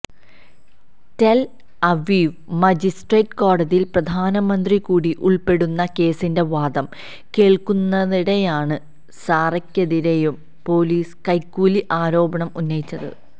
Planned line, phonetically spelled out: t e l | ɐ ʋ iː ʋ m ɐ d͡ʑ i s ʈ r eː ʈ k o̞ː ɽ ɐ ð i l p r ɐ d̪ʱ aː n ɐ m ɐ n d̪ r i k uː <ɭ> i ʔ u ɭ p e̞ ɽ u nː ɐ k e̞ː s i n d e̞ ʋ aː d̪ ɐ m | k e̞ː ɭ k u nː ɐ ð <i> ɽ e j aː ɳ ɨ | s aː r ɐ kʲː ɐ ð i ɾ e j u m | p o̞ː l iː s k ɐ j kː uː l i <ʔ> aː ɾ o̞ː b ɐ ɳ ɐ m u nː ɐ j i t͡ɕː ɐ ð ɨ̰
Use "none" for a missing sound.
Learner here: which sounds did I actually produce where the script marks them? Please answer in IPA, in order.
ɽ, i, ʔ

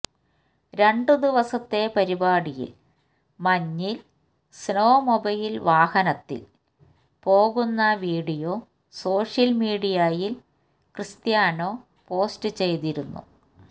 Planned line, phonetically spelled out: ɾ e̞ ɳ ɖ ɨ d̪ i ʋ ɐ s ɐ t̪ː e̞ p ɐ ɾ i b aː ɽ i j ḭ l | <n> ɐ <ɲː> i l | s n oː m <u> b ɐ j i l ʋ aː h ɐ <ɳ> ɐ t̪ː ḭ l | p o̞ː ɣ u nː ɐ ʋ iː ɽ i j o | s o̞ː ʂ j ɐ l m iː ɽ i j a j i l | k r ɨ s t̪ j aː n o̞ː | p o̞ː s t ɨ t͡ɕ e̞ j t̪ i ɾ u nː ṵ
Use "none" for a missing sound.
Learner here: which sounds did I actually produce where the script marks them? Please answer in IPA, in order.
m, ɲː, o, n

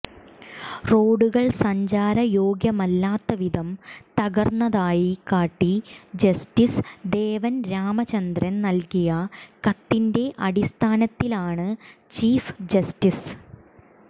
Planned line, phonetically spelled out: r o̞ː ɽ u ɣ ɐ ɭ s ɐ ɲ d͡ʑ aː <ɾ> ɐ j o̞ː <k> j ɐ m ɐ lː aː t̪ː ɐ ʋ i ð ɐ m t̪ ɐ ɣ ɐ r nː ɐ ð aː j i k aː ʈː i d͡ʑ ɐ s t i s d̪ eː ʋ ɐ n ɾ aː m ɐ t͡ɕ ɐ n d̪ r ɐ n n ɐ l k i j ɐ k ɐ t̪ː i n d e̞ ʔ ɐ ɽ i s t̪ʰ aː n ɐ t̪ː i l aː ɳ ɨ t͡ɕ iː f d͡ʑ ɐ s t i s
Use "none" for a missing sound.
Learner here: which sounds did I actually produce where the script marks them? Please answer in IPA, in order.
ɾ, ɡ

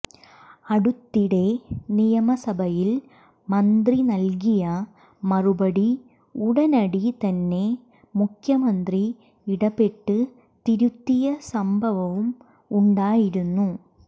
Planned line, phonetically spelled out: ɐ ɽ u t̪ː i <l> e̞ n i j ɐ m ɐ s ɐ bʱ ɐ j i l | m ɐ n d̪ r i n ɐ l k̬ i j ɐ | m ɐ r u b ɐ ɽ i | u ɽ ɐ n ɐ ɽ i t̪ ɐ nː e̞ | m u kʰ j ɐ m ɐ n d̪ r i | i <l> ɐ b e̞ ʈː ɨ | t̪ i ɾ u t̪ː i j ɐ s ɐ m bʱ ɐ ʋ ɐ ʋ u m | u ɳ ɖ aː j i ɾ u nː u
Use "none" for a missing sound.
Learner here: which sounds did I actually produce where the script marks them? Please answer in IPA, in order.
ɽ, ɽ

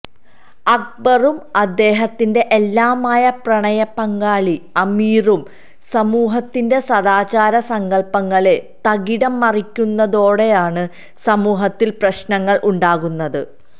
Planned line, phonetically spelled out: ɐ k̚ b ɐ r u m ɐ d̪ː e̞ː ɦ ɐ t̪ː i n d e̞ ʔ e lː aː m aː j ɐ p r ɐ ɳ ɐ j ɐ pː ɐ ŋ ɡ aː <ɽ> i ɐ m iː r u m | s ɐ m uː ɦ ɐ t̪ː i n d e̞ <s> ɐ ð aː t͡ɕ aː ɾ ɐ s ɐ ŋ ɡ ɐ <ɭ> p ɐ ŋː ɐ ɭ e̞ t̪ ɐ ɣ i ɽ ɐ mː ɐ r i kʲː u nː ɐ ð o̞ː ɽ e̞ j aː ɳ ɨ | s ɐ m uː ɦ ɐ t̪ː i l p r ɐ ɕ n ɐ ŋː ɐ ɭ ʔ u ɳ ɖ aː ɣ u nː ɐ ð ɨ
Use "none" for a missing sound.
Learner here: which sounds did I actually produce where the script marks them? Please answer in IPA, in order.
ɭ, s, ɭ

